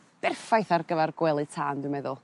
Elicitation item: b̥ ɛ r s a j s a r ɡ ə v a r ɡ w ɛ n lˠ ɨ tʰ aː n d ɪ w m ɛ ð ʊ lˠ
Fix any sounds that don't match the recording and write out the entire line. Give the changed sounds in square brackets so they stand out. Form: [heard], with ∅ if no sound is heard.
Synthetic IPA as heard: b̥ ɛ r [f] a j [θ] a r ɡ ə v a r ɡ w ɛ [∅] lˠ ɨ tʰ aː n d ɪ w m ɛ ð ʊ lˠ